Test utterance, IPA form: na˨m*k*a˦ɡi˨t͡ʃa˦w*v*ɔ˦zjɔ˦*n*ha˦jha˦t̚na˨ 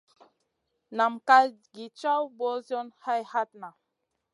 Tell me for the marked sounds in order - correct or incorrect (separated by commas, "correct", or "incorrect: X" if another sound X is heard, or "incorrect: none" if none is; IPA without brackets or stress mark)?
correct, incorrect: b, correct